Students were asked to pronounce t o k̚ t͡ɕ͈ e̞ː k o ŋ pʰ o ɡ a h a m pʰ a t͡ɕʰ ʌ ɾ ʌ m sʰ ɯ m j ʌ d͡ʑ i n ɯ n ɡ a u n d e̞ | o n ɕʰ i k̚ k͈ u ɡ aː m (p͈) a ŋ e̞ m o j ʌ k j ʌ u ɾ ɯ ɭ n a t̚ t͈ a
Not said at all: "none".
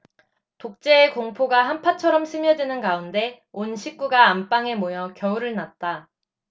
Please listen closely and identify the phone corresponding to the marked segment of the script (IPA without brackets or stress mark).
p͈